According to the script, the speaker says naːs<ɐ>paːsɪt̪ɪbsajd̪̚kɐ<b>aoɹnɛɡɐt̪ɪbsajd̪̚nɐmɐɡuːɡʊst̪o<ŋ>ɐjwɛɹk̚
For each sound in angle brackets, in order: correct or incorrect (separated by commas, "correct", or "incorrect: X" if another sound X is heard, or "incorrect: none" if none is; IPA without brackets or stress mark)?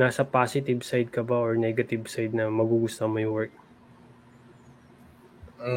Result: correct, correct, incorrect: m